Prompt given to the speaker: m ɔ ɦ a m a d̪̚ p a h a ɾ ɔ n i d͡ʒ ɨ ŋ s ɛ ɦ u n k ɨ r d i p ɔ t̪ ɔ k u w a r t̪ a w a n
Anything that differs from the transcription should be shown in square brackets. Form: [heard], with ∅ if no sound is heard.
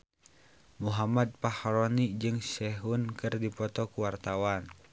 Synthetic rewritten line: m [u] ɦ a m a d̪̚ p a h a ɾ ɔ n i d͡ʒ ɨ ŋ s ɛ ɦ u n k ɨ r d i p ɔ t̪ ɔ k u w a r t̪ a w a n